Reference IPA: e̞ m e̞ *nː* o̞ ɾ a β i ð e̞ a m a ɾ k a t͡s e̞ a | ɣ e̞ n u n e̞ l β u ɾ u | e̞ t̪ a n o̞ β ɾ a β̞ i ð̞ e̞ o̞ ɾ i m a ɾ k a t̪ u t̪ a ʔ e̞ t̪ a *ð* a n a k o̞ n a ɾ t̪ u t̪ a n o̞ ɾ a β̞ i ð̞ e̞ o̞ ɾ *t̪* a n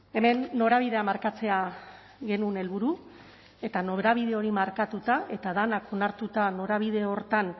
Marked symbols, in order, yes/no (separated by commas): yes, yes, yes